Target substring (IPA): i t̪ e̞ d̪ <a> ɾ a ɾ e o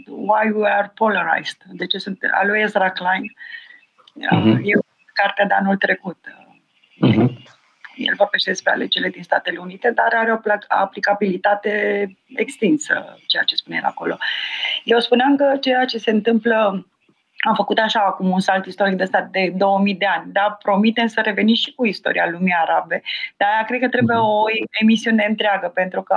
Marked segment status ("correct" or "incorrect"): correct